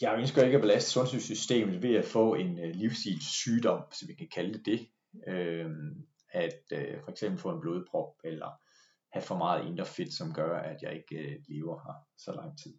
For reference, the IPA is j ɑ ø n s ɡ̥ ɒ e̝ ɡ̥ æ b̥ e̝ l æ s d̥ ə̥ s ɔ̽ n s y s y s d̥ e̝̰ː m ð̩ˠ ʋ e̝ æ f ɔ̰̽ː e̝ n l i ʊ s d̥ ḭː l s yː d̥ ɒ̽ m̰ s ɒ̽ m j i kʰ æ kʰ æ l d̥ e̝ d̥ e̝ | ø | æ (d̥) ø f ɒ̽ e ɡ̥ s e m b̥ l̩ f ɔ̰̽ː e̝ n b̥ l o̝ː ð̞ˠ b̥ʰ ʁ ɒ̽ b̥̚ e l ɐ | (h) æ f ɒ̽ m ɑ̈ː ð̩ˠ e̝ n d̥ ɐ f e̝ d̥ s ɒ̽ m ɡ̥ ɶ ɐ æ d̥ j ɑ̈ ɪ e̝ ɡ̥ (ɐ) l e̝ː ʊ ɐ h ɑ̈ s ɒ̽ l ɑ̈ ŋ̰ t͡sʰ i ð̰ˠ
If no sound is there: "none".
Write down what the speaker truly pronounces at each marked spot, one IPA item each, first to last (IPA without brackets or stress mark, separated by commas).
d̥, h, ə